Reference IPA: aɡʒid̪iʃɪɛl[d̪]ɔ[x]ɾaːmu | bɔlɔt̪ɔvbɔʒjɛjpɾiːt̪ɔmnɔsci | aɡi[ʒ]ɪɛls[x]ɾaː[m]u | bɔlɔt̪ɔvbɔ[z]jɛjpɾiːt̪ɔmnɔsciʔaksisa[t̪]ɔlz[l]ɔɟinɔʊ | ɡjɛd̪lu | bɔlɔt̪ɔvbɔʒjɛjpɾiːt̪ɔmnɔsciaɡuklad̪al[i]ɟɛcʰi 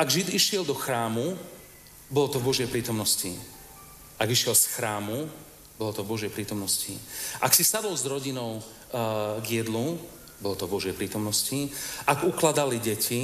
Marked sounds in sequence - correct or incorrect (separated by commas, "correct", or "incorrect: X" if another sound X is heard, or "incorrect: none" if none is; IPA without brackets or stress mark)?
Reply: correct, correct, incorrect: ʃ, correct, correct, incorrect: ʒ, incorrect: d̪, incorrect: ɾ, correct